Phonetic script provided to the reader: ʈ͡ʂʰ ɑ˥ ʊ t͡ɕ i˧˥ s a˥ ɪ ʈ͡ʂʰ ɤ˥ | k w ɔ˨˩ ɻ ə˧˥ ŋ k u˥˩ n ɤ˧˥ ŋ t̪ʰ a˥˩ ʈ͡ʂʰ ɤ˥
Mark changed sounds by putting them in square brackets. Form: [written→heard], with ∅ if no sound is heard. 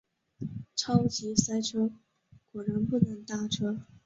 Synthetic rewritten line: ʈ͡ʂʰ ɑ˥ ʊ t͡ɕ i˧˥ s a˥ ɪ ʈ͡ʂʰ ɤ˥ | k w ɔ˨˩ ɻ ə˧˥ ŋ [k→p] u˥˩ n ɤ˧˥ ŋ [t̪ʰ→t̪] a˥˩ ʈ͡ʂʰ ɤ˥